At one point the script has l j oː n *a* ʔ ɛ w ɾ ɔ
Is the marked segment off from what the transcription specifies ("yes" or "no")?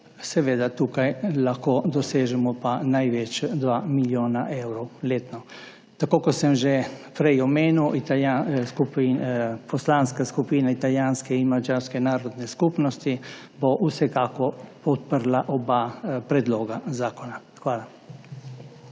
no